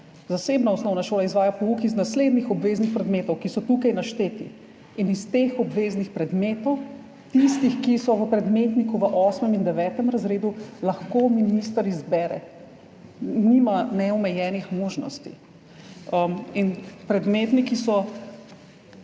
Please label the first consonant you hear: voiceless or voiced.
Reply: voiced